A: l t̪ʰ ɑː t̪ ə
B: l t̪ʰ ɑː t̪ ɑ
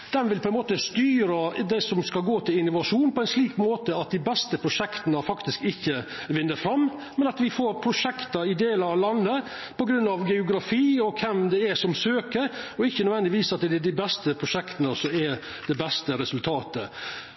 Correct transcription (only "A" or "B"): A